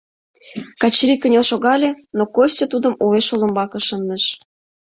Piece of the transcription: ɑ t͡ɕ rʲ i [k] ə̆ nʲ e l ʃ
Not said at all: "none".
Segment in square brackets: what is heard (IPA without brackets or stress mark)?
k